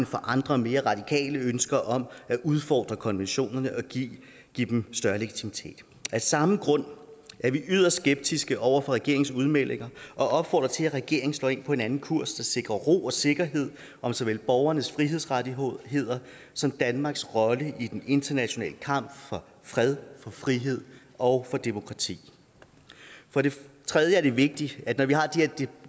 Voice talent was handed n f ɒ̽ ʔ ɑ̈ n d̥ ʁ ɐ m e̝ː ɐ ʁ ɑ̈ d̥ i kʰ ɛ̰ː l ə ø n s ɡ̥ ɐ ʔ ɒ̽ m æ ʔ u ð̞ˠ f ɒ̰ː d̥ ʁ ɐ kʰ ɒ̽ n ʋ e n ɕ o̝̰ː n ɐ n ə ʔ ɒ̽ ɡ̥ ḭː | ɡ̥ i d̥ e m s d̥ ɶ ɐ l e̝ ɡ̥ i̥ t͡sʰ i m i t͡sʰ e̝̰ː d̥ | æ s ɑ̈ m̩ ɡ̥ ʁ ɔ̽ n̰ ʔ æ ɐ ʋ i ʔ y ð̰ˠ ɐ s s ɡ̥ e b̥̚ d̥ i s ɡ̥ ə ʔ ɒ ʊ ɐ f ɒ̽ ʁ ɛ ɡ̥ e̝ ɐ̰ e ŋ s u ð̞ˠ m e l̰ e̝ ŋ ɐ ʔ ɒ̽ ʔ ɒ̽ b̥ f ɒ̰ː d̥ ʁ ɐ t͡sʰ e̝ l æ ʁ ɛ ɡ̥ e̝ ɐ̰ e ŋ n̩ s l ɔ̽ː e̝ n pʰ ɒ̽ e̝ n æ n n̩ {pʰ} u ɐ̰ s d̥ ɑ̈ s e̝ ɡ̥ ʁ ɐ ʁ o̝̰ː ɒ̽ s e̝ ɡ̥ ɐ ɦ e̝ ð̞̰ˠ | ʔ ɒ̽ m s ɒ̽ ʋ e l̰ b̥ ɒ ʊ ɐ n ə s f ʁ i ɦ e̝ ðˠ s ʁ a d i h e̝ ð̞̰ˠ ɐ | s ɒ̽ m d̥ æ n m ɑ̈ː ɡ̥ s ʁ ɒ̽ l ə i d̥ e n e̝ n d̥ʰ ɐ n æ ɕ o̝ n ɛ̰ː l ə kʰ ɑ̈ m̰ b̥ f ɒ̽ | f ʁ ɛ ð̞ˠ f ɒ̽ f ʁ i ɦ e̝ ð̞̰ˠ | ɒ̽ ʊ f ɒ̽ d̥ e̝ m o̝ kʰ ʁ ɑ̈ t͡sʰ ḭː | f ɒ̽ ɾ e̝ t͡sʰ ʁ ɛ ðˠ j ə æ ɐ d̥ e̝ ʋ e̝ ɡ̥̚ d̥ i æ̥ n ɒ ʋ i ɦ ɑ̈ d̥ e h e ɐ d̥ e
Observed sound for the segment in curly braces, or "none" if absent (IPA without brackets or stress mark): kʰ